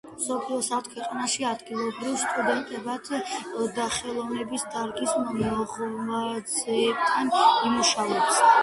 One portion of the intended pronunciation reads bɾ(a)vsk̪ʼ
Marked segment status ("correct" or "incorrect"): incorrect